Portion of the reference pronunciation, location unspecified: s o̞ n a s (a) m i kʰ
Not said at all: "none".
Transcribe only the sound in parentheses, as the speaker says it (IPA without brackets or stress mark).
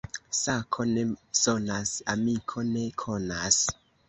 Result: a